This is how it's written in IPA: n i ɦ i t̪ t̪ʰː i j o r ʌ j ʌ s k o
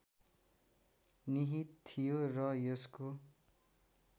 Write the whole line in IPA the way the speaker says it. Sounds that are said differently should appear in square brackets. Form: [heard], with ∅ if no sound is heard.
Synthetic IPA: n i ɦ i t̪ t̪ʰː i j o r ʌ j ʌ s k o